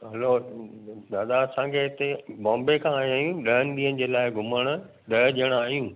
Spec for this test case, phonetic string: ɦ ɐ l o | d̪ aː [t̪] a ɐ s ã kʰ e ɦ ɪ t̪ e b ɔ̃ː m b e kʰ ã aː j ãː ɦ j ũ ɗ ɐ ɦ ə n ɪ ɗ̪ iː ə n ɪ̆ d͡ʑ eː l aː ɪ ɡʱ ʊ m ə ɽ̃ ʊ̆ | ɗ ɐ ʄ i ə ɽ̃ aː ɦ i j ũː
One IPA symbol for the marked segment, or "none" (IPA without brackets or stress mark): d̪